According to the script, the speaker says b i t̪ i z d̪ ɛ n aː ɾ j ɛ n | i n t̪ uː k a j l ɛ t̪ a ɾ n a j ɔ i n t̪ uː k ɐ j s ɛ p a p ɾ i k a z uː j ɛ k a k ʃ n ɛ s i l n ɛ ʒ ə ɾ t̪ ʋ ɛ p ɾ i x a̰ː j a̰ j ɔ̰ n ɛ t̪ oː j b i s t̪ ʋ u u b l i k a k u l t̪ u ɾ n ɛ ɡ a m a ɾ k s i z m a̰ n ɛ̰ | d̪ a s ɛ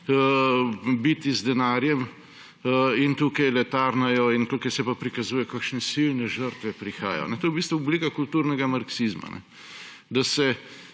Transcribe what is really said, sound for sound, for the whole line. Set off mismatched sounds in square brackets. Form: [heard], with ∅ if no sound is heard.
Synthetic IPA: b i t̪ i z d̪ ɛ n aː ɾ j ɛ [m] | i n t̪ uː k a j l ɛ t̪ a ɾ n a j ɔ i n t̪ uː k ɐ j s ɛ p a p ɾ i k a z uː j ɛ k a k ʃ n ɛ s i l n ɛ ʒ ə ɾ t̪ ʋ ɛ p ɾ i x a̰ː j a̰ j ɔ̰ n ɛ t̪ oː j b i s t̪ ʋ u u b l i k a k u l t̪ u ɾ n ɛ ɡ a m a ɾ k s i z m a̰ n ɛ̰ | d̪ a s ɛ